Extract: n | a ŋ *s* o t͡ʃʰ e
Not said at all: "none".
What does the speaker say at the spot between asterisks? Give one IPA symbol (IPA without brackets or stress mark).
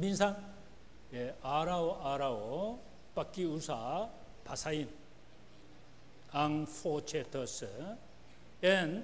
f